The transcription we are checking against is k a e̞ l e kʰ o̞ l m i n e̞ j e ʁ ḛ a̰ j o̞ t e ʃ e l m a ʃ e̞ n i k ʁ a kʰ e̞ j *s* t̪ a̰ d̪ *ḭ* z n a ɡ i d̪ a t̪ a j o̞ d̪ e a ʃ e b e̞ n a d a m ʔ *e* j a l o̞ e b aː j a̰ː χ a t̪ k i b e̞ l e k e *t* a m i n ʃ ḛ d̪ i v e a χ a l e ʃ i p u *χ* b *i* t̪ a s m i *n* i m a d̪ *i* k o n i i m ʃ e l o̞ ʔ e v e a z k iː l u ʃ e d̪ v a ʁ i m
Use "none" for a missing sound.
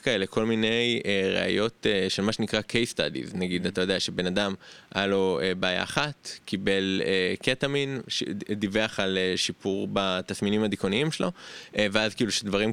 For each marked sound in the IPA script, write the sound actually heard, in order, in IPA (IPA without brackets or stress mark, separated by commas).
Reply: s, ḭ, a, t, ʁ, a, n, i